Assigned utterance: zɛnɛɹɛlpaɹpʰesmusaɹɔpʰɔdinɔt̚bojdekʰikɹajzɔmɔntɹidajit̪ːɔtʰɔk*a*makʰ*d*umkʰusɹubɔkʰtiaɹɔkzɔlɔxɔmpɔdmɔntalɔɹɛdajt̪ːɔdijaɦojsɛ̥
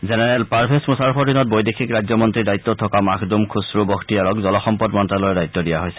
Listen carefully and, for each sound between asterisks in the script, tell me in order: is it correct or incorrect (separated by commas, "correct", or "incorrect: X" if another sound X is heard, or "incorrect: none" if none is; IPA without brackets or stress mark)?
correct, correct